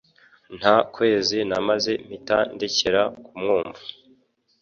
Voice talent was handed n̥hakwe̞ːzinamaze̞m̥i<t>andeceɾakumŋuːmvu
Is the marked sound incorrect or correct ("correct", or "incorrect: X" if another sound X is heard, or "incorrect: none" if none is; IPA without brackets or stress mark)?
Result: correct